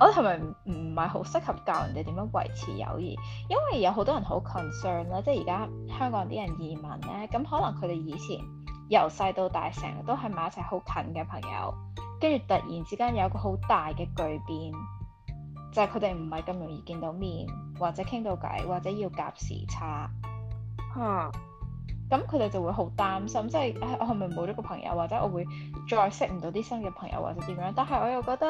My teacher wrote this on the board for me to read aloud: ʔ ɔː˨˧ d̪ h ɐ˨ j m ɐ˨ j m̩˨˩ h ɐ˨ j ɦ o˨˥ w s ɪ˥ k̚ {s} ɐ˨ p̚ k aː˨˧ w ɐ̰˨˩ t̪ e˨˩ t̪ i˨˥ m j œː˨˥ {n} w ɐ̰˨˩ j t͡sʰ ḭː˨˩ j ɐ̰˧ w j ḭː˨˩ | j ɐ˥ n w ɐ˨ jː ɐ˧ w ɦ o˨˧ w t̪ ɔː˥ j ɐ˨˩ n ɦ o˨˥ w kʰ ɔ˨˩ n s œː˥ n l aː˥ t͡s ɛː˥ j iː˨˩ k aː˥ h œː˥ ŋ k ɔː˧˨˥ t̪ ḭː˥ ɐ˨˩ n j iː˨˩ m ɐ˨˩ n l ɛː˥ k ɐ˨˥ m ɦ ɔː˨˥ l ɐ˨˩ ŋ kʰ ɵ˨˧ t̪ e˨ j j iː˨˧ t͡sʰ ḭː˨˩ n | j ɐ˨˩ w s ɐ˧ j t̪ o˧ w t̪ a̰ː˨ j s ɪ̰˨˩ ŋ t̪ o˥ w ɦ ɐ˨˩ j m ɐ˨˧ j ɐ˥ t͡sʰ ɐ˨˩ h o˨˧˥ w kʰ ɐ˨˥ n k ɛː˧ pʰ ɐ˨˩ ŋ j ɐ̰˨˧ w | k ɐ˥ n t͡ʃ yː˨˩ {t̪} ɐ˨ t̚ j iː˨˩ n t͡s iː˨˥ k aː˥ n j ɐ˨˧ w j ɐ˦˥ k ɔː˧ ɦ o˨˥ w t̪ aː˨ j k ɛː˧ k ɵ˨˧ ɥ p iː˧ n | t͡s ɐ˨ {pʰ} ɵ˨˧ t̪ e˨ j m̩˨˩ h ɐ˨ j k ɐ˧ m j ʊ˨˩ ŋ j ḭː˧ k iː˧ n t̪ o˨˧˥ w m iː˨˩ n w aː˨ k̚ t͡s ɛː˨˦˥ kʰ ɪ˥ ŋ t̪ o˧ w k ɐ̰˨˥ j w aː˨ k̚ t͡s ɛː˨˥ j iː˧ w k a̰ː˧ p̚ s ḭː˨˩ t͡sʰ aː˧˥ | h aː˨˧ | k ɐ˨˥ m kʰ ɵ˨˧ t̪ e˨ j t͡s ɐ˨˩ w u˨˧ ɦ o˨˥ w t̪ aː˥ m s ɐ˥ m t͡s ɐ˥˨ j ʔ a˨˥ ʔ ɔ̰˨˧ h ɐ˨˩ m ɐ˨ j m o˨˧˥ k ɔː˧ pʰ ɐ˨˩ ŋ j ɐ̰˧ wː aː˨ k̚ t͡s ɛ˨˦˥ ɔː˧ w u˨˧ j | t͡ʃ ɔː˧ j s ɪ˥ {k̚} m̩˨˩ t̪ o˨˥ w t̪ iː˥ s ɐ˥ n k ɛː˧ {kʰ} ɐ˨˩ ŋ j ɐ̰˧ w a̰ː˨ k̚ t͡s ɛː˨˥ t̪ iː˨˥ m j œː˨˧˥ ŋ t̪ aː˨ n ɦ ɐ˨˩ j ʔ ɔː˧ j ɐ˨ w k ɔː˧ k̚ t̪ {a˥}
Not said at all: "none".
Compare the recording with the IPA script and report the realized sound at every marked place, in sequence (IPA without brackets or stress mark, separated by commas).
h, ŋ, t̪, kʰ, k̚, pʰ, ɐ˥